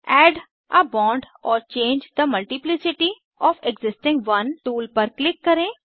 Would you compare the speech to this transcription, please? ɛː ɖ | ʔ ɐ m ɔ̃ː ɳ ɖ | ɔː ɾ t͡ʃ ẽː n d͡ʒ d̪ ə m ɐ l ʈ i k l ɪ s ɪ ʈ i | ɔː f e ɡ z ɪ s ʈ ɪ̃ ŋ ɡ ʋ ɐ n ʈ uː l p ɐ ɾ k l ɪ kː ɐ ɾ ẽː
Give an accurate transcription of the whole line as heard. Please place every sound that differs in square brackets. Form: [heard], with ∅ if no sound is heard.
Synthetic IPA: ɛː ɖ | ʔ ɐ [b] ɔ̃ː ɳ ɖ | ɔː ɾ t͡ʃ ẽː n d͡ʒ d̪ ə m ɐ l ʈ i [p] l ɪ s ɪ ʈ i | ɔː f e ɡ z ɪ s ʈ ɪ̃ ŋ ɡ ʋ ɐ n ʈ uː l p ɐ ɾ k l ɪ kː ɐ ɾ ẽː